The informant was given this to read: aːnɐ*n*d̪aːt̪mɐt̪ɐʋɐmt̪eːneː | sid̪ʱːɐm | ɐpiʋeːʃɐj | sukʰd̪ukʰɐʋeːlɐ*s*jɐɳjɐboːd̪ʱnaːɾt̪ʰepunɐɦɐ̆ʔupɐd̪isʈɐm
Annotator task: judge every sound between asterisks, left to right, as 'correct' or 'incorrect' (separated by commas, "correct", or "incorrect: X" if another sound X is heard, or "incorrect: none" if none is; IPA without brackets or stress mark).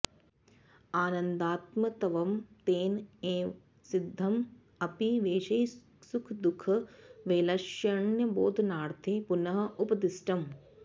correct, incorrect: ʃ